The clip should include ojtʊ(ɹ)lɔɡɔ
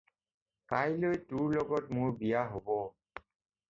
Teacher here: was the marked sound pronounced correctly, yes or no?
yes